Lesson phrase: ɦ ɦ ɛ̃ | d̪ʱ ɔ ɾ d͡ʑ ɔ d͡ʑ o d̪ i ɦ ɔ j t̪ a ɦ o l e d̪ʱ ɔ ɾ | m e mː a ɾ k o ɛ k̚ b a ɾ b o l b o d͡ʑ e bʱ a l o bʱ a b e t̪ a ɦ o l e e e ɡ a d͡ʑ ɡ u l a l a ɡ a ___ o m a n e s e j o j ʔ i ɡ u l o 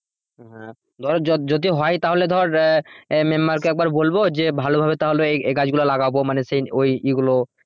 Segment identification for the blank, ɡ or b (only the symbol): b